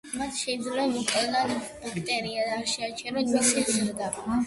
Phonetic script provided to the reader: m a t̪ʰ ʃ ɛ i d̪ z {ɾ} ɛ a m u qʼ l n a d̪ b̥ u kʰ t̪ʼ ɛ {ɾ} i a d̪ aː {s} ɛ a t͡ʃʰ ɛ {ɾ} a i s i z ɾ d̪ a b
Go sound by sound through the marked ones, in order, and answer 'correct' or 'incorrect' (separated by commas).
incorrect, correct, incorrect, correct